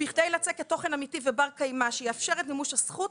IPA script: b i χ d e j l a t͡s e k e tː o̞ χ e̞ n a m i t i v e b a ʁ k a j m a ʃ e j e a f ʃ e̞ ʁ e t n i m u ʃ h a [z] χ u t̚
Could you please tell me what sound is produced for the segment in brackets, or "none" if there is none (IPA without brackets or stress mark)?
s